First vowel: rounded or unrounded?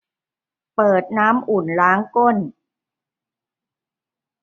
unrounded